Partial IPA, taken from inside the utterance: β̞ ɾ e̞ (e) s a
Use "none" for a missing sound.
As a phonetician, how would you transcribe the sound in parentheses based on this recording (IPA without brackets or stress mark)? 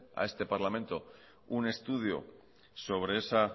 e